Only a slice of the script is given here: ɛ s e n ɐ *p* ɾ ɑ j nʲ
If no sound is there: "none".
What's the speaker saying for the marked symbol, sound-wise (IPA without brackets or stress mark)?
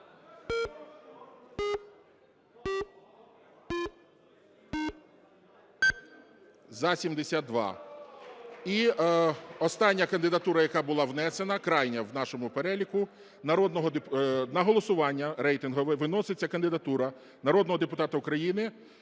k